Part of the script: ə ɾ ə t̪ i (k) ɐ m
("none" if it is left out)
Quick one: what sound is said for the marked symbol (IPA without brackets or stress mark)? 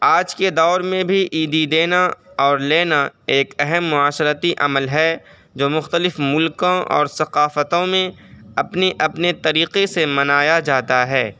ʔ